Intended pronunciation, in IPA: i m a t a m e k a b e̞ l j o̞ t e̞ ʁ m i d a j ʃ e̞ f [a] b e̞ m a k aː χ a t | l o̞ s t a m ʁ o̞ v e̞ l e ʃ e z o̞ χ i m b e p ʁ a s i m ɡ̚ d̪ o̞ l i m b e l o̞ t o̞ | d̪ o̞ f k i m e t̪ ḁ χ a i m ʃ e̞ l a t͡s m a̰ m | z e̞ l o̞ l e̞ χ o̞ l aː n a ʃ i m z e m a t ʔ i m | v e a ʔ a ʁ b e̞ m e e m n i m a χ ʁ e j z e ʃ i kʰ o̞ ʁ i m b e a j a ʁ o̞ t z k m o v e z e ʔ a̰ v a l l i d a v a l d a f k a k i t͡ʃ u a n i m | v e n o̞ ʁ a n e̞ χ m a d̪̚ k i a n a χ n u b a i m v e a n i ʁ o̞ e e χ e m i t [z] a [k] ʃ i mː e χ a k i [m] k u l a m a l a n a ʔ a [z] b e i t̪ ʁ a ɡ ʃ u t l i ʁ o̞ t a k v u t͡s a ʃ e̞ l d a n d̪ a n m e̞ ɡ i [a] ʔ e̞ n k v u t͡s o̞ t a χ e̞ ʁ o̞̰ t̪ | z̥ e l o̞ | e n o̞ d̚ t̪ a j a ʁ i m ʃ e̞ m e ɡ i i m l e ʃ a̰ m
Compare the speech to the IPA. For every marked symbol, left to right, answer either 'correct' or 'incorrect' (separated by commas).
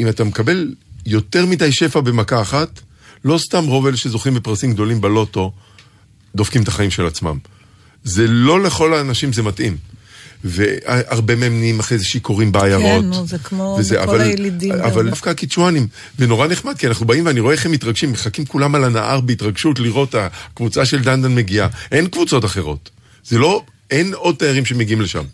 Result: correct, incorrect, incorrect, correct, incorrect, correct